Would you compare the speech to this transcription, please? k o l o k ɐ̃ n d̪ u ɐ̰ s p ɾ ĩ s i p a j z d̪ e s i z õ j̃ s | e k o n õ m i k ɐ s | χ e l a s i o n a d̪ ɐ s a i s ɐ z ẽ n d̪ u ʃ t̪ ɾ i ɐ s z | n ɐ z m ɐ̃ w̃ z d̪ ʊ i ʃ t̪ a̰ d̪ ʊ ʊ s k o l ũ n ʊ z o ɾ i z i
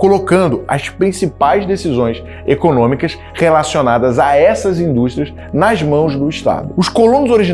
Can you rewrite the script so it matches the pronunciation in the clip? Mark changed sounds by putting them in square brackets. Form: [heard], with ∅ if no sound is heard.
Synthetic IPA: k o l o k ɐ̃ n d̪ [ʊ] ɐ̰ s p ɾ ĩ s i p a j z d̪ e s i z õ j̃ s | e k o n õ m i k ɐ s | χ e l a s i o n a d̪ ɐ [z] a [ɛ] s ɐ z [ĩ] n d̪ u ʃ t̪ ɾ i ɐ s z | n ɐ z m ɐ̃ w̃ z d̪ ʊ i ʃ t̪ a̰ d̪ ʊ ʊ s k o l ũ n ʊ z o ɾ i [ʒ] i